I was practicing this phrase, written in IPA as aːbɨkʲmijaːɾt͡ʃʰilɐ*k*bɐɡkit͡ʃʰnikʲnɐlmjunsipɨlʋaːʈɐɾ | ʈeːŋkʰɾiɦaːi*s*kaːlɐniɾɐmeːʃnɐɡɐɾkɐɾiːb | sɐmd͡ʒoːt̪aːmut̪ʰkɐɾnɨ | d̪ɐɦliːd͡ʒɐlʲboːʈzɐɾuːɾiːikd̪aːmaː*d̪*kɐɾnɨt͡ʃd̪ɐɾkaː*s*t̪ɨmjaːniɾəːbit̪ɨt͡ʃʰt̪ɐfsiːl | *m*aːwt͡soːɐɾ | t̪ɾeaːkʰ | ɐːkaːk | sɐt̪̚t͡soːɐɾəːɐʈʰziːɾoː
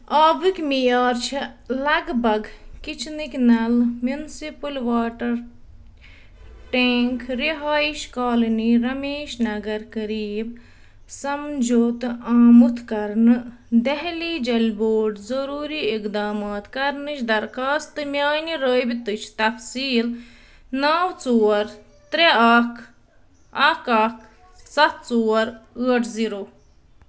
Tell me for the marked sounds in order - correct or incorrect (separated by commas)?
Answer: incorrect, incorrect, incorrect, correct, incorrect